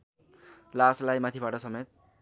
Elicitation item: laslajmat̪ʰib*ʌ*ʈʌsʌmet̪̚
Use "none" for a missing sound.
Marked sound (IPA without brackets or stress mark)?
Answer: a